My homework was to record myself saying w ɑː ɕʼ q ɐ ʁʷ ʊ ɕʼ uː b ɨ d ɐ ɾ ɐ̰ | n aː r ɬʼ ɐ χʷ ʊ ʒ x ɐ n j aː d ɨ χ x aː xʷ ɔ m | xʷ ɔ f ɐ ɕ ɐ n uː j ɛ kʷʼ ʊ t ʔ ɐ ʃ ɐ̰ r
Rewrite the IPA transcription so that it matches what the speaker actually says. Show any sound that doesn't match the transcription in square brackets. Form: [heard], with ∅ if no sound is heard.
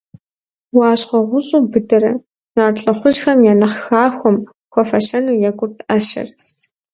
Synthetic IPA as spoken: w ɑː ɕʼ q ɐ ʁʷ ʊ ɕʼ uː b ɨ d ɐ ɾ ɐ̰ | n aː r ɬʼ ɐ χʷ ʊ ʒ x ɐ [m] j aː [n] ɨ χ x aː xʷ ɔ m | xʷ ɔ f ɐ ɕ ɐ n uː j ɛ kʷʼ ʊ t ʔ ɐ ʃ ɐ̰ r